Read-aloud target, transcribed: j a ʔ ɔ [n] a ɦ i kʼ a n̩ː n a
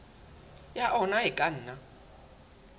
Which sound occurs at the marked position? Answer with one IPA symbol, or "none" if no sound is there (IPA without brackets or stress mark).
n